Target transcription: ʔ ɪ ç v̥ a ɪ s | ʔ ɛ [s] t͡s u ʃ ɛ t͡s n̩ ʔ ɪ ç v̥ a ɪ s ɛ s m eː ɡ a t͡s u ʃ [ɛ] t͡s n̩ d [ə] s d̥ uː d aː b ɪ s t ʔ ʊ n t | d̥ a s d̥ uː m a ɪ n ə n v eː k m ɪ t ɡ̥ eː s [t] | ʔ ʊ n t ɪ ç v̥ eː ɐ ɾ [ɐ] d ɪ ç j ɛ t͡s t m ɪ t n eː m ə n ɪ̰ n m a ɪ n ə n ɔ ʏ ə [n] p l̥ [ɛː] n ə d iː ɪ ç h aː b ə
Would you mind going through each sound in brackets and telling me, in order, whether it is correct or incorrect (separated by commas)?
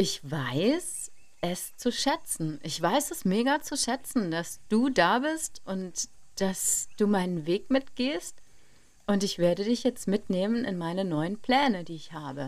correct, correct, incorrect, correct, incorrect, correct, correct